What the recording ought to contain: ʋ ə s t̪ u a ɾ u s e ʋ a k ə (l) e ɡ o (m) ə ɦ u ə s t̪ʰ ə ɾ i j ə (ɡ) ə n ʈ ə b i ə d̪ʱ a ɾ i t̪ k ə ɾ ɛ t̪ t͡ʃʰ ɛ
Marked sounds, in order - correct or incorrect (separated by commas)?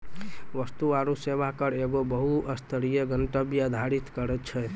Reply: incorrect, incorrect, correct